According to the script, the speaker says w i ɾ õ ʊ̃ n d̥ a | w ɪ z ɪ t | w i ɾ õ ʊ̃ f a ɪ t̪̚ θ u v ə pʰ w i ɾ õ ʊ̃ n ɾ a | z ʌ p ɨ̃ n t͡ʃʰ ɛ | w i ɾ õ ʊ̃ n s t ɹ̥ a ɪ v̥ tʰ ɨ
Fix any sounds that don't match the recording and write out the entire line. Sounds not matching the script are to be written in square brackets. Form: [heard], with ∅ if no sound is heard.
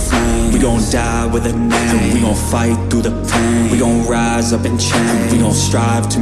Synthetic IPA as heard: w i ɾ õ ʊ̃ n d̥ a | w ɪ [ð] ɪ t | w i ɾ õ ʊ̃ f a ɪ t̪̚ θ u [ð] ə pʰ w i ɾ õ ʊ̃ n [ɹ] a | z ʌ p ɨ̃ n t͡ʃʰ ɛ | w i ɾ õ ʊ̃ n s t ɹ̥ a ɪ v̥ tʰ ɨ